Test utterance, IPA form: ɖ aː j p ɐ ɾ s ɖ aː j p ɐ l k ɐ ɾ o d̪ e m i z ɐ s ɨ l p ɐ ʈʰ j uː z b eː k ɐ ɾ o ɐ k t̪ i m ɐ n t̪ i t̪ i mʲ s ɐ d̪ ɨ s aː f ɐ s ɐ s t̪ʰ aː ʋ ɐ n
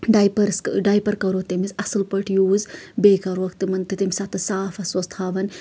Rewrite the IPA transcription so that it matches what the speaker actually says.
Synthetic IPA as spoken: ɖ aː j p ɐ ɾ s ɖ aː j p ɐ ɾ k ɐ ɾ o t̪ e m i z ɐ s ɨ l p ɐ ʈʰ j uː z b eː k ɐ ɾ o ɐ k t̪ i m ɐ n t̪ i t̪ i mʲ s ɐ t̪ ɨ s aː f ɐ s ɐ s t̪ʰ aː ʋ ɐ n